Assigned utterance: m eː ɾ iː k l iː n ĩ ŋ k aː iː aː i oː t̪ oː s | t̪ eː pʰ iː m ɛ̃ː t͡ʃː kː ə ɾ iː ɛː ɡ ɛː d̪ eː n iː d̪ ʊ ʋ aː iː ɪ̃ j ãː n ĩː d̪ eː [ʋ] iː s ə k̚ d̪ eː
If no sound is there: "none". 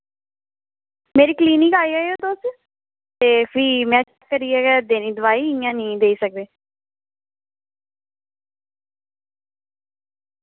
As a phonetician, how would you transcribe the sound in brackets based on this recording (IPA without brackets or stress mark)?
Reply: none